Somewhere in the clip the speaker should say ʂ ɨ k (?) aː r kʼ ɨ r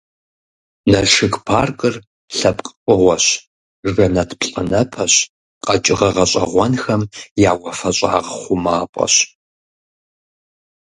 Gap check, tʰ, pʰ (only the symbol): pʰ